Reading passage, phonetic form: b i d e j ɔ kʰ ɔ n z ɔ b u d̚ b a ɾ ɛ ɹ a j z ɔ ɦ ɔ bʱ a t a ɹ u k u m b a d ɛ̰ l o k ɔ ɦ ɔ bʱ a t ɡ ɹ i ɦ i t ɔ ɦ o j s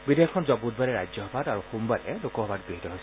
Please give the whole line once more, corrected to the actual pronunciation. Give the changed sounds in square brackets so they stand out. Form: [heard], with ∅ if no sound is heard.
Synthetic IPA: b i d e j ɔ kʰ ɔ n z ɔ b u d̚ b a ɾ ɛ ɹ a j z ɔ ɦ ɔ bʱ a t a ɹ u [x] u m b a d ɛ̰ l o k ɔ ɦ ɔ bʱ a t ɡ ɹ i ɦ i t ɔ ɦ o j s